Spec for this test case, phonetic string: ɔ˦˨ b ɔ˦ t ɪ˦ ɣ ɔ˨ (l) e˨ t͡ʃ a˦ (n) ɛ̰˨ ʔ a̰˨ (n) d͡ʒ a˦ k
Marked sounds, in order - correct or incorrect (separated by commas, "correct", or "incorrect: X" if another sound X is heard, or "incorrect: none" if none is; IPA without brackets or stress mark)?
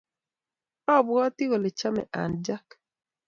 correct, incorrect: m, correct